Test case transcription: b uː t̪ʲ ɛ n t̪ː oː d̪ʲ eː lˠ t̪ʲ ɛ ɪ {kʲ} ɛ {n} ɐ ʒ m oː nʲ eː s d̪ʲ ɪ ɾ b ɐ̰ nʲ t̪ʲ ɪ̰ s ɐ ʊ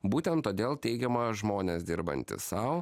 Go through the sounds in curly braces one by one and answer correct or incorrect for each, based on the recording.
incorrect: ɡʲ, incorrect: m

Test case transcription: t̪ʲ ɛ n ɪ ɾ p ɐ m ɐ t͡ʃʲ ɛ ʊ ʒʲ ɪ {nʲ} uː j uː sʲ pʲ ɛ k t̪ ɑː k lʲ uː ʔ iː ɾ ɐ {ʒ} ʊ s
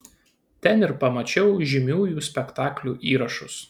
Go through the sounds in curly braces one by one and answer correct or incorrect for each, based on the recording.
incorrect: mʲ, incorrect: ʃ

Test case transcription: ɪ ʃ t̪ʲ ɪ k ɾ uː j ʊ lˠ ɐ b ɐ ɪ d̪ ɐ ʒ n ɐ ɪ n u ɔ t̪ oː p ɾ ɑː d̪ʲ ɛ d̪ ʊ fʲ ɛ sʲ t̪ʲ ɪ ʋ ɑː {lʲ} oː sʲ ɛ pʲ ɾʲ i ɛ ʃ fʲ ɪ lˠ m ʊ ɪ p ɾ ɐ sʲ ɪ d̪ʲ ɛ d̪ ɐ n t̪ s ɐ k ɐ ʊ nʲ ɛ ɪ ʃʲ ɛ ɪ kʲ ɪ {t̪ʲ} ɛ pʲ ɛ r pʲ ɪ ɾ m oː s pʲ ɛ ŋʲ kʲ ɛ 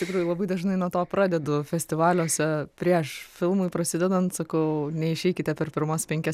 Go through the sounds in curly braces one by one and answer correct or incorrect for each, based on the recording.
correct, correct

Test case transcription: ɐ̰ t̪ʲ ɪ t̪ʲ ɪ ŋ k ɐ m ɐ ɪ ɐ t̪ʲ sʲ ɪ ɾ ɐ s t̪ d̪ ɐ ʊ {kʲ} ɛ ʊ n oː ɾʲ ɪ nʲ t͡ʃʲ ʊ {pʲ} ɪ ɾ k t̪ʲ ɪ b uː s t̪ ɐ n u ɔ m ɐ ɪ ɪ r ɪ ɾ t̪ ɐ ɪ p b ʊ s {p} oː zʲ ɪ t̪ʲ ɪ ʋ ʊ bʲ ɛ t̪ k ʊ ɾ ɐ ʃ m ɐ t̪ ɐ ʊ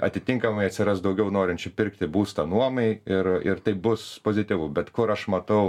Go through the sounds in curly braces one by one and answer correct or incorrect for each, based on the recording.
incorrect: ɡʲ, correct, correct

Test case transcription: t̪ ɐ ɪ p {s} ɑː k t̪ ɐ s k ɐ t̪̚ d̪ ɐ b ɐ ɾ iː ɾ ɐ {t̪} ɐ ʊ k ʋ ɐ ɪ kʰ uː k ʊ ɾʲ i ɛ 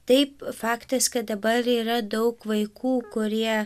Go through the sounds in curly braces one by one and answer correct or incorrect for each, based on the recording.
incorrect: f, incorrect: d̪

